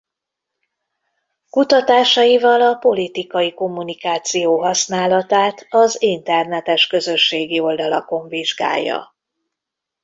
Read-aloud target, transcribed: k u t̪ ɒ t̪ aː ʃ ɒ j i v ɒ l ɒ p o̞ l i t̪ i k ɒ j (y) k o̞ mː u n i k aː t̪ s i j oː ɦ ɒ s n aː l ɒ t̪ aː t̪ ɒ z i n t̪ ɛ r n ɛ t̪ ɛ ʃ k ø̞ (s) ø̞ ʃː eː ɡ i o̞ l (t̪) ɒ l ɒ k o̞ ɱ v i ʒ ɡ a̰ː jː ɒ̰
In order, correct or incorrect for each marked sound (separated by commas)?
incorrect, incorrect, incorrect